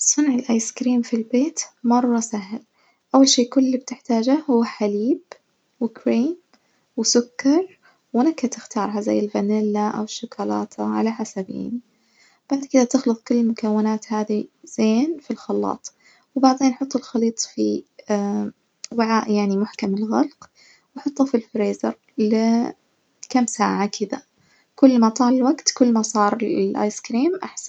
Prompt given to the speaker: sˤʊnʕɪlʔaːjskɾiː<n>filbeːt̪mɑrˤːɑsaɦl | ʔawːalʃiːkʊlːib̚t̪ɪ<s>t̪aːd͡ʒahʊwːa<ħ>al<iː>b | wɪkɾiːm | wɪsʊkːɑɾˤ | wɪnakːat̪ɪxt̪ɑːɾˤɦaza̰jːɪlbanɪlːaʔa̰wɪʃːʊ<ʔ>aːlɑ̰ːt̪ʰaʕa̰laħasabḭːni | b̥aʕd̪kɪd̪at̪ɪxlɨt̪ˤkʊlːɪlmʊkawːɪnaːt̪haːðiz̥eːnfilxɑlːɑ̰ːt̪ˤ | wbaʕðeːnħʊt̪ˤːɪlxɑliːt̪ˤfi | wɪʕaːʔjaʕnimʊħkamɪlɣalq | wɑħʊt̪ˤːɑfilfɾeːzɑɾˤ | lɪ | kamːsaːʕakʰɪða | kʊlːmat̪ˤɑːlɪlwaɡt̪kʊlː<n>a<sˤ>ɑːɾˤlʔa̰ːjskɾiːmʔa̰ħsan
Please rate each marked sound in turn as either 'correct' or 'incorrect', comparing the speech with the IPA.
incorrect: m, incorrect: ħ, correct, correct, incorrect: k, incorrect: m, correct

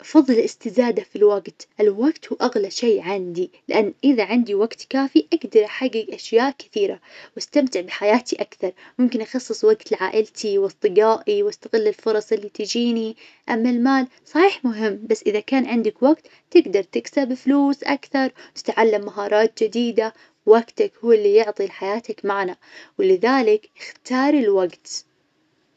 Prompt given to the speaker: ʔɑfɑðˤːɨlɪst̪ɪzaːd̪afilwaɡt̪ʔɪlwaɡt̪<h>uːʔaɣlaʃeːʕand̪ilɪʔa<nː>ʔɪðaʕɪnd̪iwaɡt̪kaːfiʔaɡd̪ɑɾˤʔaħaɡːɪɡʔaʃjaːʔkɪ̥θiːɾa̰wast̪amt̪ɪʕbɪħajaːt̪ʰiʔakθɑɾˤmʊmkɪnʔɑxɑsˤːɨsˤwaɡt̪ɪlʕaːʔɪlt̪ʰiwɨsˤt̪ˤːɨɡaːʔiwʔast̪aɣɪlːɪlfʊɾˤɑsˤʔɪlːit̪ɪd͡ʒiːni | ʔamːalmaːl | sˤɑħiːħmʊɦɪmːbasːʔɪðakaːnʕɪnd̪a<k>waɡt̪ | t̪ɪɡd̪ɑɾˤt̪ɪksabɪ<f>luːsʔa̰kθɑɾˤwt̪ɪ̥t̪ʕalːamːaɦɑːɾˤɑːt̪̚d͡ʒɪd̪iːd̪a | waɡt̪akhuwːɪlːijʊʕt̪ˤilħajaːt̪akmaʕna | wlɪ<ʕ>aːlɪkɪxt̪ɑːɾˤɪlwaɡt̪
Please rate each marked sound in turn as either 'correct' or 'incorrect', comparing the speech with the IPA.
correct, correct, correct, correct, incorrect: ð

